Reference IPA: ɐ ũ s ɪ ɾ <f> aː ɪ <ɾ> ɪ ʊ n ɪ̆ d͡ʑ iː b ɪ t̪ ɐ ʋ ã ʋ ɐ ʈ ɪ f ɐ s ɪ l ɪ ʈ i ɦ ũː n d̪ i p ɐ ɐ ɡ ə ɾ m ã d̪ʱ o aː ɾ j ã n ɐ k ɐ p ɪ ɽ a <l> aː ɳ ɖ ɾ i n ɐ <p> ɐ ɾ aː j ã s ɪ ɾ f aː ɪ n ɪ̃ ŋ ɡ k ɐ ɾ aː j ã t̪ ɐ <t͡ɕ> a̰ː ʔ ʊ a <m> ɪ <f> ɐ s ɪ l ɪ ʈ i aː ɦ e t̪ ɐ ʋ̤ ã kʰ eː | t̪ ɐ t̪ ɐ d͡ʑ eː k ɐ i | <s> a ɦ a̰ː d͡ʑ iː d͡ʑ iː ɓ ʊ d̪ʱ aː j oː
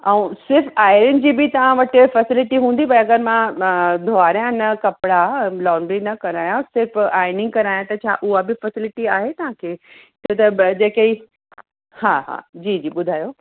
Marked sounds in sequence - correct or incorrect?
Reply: correct, correct, correct, incorrect: k, incorrect: t͡ɕʰ, incorrect: b, correct, incorrect: h

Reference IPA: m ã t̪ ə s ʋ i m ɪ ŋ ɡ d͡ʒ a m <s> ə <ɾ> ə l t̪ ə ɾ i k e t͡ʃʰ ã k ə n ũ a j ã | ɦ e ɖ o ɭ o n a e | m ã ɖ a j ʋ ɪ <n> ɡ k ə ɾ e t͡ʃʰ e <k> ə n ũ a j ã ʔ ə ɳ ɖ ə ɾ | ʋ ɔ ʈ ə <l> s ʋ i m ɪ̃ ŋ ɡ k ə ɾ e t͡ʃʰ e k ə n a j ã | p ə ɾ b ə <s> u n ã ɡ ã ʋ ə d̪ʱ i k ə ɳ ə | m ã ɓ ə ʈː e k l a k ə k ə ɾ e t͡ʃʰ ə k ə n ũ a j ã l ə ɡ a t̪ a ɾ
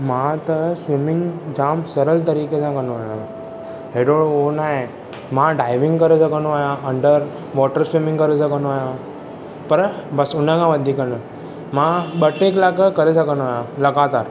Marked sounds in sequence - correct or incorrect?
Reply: correct, correct, incorrect: ŋ, correct, incorrect: ɾ, correct

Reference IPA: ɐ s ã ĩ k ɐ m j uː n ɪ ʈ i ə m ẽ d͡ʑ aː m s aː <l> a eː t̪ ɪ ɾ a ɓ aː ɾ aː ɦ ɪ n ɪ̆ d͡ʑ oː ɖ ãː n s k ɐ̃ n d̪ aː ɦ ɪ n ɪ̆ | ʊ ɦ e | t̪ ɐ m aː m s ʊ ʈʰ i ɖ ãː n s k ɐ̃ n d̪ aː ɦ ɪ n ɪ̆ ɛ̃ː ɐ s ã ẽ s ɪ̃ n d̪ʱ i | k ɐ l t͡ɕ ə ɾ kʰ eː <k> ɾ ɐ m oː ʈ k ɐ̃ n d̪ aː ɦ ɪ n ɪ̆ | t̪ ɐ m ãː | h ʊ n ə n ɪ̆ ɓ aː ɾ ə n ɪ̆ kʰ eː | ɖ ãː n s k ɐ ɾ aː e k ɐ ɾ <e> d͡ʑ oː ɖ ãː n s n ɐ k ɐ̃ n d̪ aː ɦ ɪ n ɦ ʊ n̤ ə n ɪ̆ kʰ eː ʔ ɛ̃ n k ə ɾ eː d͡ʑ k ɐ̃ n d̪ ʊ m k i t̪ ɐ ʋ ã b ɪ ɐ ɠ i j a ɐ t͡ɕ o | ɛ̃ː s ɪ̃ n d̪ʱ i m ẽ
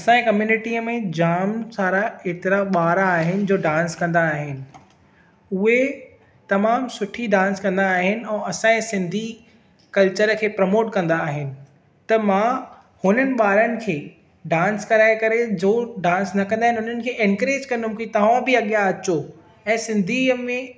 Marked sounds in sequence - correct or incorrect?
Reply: incorrect: ɾ, incorrect: p, correct

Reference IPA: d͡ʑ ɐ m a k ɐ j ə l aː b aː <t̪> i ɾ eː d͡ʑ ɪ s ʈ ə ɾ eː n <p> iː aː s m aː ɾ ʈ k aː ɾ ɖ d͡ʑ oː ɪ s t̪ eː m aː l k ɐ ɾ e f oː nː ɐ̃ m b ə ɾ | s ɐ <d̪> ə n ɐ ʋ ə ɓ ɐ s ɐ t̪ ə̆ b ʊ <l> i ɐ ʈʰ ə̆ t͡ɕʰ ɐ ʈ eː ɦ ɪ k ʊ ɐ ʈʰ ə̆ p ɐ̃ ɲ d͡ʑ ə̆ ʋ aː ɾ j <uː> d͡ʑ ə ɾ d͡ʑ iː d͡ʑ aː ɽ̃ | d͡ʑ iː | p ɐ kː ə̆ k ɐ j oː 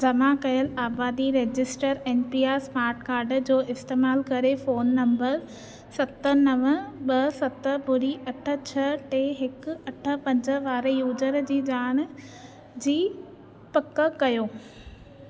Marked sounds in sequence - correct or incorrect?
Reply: incorrect: d̪, correct, incorrect: t̪, incorrect: ɾ, correct

